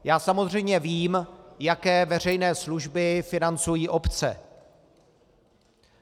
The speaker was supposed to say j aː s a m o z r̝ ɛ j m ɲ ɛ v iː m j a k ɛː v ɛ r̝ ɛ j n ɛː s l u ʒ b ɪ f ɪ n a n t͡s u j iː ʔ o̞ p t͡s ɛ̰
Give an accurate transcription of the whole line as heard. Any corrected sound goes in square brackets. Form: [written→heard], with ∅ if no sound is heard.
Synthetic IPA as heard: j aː s a m o z r̝ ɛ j m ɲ ɛ v iː m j a k ɛː v ɛ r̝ ɛ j n ɛː s l u ʒ b ɪ f ɪ n a n t͡s u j iː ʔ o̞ p t͡s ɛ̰